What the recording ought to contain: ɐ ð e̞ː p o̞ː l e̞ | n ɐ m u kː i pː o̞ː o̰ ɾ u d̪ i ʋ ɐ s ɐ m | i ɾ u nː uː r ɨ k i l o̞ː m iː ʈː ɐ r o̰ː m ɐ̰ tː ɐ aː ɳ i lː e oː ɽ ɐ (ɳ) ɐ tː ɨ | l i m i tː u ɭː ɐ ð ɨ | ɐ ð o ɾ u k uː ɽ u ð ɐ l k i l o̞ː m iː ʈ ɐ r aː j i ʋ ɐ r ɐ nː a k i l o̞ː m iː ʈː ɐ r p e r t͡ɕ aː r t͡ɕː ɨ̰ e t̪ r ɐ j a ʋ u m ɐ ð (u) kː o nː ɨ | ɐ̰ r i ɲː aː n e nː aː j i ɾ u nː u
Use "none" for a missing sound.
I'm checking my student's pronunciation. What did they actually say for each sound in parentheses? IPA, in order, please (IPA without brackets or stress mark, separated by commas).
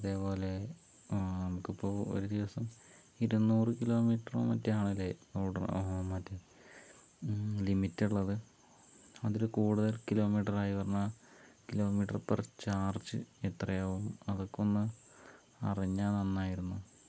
m, o